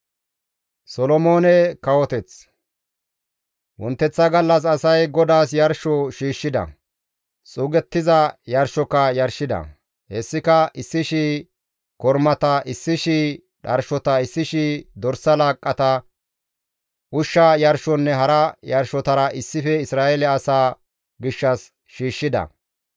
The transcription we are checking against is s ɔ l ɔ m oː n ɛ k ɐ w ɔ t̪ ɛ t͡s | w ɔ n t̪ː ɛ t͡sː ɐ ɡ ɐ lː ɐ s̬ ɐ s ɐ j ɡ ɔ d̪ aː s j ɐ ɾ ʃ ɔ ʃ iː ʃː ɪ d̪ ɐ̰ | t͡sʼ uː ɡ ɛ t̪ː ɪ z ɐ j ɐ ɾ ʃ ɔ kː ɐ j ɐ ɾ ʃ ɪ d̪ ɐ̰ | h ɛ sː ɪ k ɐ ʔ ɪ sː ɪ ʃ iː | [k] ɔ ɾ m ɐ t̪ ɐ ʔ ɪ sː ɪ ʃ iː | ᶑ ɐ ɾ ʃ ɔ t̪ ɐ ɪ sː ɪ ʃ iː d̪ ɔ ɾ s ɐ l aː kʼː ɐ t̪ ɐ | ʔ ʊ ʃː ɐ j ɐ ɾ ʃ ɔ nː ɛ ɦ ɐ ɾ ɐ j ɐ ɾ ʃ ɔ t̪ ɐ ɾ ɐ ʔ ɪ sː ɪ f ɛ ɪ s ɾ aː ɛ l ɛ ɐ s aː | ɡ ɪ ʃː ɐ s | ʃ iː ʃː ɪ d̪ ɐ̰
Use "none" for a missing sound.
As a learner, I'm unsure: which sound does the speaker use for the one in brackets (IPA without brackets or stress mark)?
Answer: k